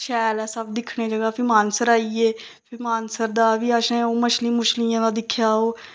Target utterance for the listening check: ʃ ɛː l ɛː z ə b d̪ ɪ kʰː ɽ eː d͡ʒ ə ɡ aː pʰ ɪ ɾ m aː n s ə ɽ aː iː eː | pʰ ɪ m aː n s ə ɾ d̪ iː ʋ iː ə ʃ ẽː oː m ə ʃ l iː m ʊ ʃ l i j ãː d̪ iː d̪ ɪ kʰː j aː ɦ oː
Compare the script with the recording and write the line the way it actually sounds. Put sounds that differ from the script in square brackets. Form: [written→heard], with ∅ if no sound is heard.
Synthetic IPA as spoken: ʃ ɛː l ɛː [z→s] ə b d̪ ɪ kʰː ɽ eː d͡ʒ ə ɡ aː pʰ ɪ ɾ m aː n s ə [ɽ→ɾ] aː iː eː | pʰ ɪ m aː n s ə ɾ d̪ [iː→aː] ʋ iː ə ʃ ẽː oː m ə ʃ l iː m ʊ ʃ l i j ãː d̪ [iː→aː] d̪ ɪ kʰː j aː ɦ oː

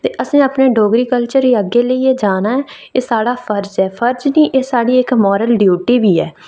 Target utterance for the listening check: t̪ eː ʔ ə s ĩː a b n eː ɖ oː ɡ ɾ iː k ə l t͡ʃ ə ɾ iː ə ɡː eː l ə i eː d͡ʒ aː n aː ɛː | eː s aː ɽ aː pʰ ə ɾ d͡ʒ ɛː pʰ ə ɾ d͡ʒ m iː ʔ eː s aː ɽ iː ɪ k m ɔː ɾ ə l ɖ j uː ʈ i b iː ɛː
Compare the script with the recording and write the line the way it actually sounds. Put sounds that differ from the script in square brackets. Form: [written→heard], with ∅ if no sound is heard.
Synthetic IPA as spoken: t̪ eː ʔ ə s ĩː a [b→p] n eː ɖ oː ɡ ɾ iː k ə l t͡ʃ ə ɾ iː ə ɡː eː l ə i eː d͡ʒ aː n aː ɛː | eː s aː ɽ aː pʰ ə ɾ d͡ʒ ɛː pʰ ə ɾ d͡ʒ [m→n] iː ʔ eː s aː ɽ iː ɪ k m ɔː ɾ ə l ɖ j uː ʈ [i→iː] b iː ɛː

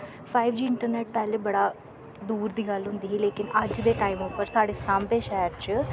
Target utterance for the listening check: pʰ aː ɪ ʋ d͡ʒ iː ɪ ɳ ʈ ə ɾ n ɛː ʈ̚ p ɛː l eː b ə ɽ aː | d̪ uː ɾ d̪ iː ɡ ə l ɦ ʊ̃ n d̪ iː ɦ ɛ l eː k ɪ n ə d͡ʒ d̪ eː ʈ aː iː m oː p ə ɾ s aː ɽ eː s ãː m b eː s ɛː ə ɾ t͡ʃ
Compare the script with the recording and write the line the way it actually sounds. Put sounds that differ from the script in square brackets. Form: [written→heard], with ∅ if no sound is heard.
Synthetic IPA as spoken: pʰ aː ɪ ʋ d͡ʒ iː ɪ ɳ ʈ ə ɾ n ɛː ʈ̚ p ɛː l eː b ə ɽ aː | d̪ uː ɾ d̪ iː ɡ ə l ɦ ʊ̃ n d̪ iː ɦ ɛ l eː k ɪ n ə d͡ʒ d̪ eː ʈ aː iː m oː p ə ɾ s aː ɽ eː s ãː m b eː [s→ʃ] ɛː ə ɾ t͡ʃ

